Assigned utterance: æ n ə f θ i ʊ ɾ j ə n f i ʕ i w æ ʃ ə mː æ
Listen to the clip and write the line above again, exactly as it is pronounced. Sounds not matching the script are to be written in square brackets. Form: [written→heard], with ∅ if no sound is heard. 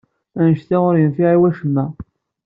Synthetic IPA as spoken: æ n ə [f→ʃ] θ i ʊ ɾ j ə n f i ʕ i w æ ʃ ə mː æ